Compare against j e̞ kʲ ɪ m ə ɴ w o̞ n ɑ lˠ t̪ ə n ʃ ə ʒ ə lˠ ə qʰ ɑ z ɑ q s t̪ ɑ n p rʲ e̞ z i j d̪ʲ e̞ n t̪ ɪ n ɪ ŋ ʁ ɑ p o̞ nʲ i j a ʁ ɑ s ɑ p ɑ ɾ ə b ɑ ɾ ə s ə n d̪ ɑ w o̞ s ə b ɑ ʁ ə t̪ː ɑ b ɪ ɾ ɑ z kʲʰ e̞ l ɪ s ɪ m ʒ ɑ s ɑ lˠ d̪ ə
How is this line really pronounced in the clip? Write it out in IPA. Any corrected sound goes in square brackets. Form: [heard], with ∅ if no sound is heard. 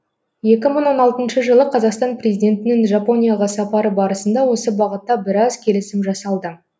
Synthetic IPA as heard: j e̞ kʲ ɪ m ə ɴ w o̞ n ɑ lˠ t̪ ə n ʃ ə ʒ ə lˠ ə qʰ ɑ z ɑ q s t̪ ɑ n p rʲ e̞ z i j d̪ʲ e̞ n t̪ ɪ n ɪ ŋ [ʒ] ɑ p o̞ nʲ i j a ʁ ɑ s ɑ p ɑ ɾ ə b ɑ ɾ ə s ə n d̪ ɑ w o̞ s ə b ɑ ʁ ə t̪ː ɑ b ɪ ɾ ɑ z kʲʰ e̞ l ɪ s ɪ m ʒ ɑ s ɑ lˠ d̪ ə

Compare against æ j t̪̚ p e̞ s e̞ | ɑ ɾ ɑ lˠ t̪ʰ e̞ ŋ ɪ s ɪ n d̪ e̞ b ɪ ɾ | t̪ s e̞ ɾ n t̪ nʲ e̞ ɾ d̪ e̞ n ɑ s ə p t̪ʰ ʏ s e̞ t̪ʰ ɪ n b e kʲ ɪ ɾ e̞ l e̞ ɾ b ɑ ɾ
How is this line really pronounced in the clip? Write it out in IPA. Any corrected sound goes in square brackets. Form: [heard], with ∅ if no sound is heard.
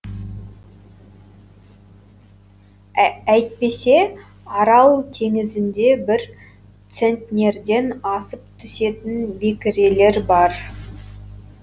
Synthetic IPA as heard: æ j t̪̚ p e̞ s e̞ | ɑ ɾ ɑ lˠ t̪ʰ e̞ ŋ ɪ [z] ɪ n d̪ e̞ b ɪ ɾ | t̪ s e̞ [∅] n t̪ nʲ e̞ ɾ d̪ e̞ n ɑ s ə p t̪ʰ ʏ s e̞ [t̪] ɪ n b e kʲ ɪ ɾ e̞ l e̞ ɾ b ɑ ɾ

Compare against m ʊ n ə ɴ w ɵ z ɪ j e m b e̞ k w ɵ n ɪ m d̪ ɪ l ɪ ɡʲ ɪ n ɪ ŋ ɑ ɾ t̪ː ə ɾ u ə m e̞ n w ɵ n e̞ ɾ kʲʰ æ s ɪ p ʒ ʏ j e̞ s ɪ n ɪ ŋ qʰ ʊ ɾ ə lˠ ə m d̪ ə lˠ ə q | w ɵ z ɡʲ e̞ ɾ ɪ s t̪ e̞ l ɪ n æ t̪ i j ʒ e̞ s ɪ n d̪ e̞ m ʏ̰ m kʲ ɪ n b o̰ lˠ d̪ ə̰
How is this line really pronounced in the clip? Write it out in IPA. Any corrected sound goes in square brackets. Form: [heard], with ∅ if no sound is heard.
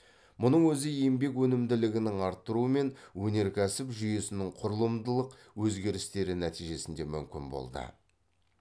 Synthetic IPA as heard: m ʊ n ə ɴ w ɵ z ɪ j e m b e̞ k w ɵ n ɪ m d̪ ɪ l ɪ ɡʲ ɪ n ɪ ŋ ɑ ɾ t̪ː ə ɾ u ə m e̞ n w ɵ n e̞ ɾ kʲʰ æ s ɪ p ʒ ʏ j e̞ s ɪ n ɪ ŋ qʰ ʊ ɾ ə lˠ ə m d̪ ə lˠ ə q | w ɵ z ɡʲ e̞ ɾ ɪ s t̪ e̞ [ɾ] ɪ n æ t̪ i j ʒ e̞ s ɪ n d̪ e̞ m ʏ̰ m kʲ ɪ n b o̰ lˠ d̪ ə̰

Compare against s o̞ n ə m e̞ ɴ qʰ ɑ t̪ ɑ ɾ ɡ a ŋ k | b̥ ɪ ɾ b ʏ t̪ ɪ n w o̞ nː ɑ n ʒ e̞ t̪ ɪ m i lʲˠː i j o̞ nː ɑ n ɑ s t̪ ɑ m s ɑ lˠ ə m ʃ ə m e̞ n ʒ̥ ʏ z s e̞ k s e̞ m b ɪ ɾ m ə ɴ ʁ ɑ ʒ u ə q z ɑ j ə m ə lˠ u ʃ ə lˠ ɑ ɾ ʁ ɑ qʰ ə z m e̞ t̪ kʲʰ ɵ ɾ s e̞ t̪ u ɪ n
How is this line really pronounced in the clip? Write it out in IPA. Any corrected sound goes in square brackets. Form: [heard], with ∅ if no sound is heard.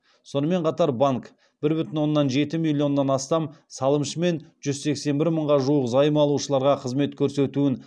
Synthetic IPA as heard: s o̞ n ə m e̞ ɴ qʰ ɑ t̪ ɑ ɾ [b] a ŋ k | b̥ ɪ ɾ b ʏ t̪ ɪ n w o̞ nː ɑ n ʒ e̞ t̪ ɪ m i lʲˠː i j o̞ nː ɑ n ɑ s t̪ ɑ m s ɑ lˠ ə m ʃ ə m e̞ n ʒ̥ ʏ z s e̞ k s e̞ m b ɪ ɾ m ə ɴ ʁ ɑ ʒ u ə q z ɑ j ə m [ɑ] lˠ u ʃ ə lˠ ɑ ɾ ʁ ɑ qʰ ə z m e̞ t̪ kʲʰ ɵ ɾ s e̞ t̪ u ɪ n

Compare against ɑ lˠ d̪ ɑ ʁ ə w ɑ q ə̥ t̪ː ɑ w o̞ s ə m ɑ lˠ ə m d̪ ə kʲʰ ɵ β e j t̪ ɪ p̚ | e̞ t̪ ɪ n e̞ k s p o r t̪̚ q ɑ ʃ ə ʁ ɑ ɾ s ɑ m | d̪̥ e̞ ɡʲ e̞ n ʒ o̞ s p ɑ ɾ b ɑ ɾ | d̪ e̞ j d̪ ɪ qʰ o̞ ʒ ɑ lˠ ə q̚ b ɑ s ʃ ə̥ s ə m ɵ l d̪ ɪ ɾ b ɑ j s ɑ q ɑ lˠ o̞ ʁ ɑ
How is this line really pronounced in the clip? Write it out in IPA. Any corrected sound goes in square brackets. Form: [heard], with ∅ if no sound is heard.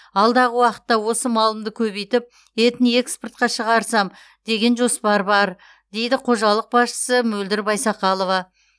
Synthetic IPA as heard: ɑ lˠ d̪ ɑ ʁ ə w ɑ q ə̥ t̪ː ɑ w o̞ s ə m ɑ lˠ ə m d̪ ə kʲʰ ɵ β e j t̪ ɪ p̚ | e̞ t̪ ɪ n e̞ k s p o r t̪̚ q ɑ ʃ ə ʁ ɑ ɾ s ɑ m | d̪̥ e̞ ɡʲ e̞ n ʒ o̞ s p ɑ ɾ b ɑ ɾ | d̪ e̞ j d̪ ɪ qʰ o̞ ʒ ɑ lˠ ə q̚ b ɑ s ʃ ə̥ s ə m ɵ l d̪ ɪ ɾ b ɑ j s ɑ q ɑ lˠ o̞ [v] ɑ

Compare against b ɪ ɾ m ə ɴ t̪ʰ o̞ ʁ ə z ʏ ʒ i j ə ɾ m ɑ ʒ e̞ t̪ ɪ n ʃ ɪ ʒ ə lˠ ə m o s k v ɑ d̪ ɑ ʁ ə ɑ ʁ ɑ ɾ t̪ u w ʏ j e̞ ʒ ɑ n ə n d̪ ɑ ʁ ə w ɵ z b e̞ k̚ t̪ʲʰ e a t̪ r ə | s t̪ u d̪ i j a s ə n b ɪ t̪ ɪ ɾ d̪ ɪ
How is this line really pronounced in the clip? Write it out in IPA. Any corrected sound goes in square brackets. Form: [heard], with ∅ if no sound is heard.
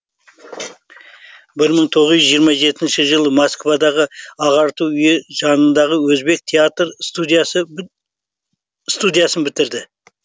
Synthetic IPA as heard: b ɪ ɾ m ə ɴ t̪ʰ o̞ ʁ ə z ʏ ʒ i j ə ɾ m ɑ ʒ e̞ t̪ ɪ n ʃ ɪ ʒ ə lˠ ə m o s k v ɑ d̪ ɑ ʁ ə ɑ ʁ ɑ ɾ t̪ u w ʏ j e̞ ʒ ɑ n ə n d̪ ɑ ʁ ə w ɵ z b e̞ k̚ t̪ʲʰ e a t̪ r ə | s t̪ u d̪ i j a s ə n b ɪ t̪ ɪ ɾ d̪ ɪ

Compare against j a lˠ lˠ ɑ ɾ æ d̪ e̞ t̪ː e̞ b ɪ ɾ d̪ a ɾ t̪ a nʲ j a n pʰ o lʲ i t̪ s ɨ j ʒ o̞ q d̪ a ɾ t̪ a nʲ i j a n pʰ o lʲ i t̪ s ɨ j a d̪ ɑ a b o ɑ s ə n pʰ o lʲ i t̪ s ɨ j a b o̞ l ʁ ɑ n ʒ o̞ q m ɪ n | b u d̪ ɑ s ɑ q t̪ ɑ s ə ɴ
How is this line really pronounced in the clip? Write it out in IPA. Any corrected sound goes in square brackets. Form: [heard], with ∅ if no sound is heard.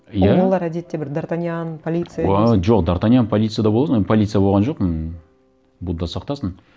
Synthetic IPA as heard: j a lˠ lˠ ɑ ɾ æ d̪ e̞ t̪ː e̞ b ɪ ɾ d̪ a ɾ t̪ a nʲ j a n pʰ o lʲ i t̪ s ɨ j ʒ o̞ q d̪ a ɾ t̪ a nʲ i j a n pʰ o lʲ i t̪ s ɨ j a d̪ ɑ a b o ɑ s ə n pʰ o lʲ i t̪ s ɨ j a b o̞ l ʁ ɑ n ʒ o̞ q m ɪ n | b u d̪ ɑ s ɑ q t̪ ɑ s ə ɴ

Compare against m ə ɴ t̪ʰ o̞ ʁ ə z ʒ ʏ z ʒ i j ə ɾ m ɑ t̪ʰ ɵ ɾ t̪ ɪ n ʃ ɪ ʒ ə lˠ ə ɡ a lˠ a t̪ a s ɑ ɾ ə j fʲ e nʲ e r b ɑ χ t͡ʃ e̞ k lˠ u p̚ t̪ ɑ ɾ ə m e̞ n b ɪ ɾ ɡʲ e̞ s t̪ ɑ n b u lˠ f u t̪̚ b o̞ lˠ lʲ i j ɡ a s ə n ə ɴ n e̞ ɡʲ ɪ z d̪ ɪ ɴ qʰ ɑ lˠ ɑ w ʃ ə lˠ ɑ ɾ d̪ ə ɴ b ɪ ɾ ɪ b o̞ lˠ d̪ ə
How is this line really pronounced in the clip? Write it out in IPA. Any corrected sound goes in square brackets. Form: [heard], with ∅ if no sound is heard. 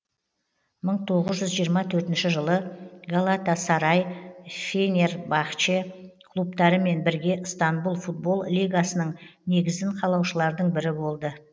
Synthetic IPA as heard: m ə ɴ t̪ʰ o̞ ʁ ə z ʒ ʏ z ʒ i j ə ɾ m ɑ t̪ʰ ɵ ɾ t̪ ɪ n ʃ ɪ ʒ ə lˠ ə ɡ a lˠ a t̪ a s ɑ ɾ [ɑ] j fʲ e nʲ e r b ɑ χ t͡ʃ e̞ [kʰ] lˠ u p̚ t̪ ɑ ɾ ə m e̞ n b ɪ ɾ ɡʲ e̞ s t̪ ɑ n b u lˠ f u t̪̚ b o̞ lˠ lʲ i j ɡ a s ə n ə ɴ n e̞ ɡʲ ɪ z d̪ ɪ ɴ qʰ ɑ lˠ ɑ w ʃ ə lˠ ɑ ɾ d̪ ə ɴ b ɪ ɾ ɪ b o̞ lˠ d̪ ə

